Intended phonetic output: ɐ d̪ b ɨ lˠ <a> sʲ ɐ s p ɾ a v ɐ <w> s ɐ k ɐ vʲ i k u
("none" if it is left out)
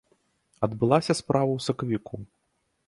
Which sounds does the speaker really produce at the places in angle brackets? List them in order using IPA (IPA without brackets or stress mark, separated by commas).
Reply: a, w